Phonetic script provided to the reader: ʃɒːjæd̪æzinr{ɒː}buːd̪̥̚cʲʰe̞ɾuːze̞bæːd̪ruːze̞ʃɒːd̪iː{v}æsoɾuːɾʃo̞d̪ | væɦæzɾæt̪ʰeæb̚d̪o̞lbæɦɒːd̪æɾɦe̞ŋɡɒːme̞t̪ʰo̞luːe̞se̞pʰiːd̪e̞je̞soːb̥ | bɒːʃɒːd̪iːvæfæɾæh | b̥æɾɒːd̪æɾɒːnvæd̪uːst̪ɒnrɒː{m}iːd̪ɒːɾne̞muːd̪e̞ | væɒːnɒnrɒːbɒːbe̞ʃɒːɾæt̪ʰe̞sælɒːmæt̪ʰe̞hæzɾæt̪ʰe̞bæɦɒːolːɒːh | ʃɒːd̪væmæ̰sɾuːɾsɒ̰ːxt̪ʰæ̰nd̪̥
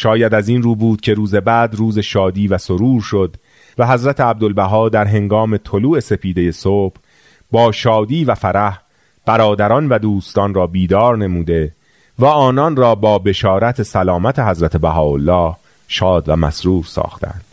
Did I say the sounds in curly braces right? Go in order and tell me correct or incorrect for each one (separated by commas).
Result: incorrect, correct, incorrect